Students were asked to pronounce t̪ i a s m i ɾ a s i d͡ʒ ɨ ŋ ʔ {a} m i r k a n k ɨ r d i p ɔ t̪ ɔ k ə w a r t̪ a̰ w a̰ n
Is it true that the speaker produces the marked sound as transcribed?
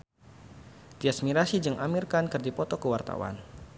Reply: yes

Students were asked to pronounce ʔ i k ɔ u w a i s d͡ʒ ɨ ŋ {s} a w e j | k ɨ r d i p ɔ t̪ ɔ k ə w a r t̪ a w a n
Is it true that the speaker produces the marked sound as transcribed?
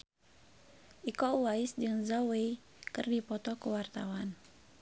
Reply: no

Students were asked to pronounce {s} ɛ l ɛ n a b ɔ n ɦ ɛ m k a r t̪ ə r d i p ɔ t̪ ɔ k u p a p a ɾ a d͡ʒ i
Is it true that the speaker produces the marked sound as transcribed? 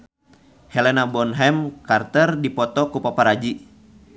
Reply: no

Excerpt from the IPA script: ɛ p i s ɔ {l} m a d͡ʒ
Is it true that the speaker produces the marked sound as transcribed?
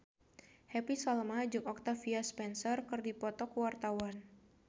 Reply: yes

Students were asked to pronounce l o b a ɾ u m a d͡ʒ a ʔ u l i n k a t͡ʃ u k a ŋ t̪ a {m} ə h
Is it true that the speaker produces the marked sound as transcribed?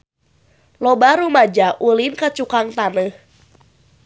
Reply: no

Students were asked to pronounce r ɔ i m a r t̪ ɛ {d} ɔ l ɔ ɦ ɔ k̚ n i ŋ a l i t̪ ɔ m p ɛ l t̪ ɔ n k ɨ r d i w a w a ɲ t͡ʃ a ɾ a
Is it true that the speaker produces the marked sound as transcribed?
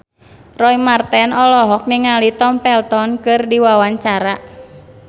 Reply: no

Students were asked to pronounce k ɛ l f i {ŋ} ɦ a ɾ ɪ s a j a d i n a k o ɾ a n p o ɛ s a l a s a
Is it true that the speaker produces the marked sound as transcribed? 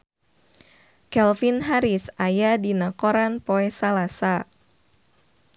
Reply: no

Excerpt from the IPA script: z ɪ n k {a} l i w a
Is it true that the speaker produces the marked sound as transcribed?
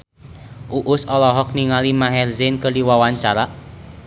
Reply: no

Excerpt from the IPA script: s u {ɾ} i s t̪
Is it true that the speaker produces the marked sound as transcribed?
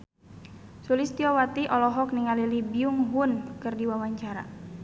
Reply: no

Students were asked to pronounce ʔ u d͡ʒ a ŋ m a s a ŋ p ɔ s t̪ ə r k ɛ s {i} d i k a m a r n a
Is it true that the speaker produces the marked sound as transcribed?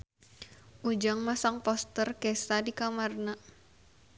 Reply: no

